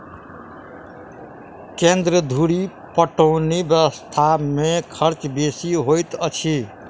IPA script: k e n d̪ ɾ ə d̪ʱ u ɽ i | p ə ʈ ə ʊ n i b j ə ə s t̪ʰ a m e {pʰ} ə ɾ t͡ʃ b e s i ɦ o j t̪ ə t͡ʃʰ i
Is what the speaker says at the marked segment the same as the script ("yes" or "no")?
no